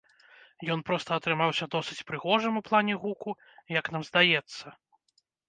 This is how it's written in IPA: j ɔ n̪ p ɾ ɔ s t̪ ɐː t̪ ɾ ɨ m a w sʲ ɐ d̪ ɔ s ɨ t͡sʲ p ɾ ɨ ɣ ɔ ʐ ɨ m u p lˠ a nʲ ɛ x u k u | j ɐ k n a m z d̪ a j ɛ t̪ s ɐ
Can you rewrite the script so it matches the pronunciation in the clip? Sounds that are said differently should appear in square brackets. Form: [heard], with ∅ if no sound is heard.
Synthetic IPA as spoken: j ɔ n̪ p ɾ ɔ s t̪ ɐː t̪ ɾ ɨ m a w sʲ ɐ d̪ ɔ s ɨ t͡sʲ p ɾ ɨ ɣ ɔ ʐ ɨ m u p lˠ a nʲ ɛ [ɣ] u k u | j ɐ k n a m z d̪ a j ɛ t̪ [sː] ɐ